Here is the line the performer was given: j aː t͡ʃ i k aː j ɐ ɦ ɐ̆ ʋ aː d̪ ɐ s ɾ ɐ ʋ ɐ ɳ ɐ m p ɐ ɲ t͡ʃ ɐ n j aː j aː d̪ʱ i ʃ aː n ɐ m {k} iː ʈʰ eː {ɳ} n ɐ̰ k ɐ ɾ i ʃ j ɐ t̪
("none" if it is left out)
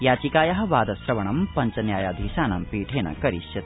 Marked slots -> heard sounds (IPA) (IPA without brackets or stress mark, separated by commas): p, none